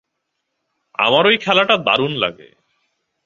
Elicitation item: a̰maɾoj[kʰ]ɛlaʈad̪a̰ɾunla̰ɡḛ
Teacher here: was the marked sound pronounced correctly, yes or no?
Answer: yes